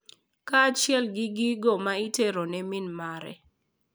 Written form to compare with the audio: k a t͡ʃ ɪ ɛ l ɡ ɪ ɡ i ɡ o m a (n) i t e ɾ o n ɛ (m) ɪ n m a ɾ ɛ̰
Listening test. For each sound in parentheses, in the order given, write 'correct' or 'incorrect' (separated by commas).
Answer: incorrect, correct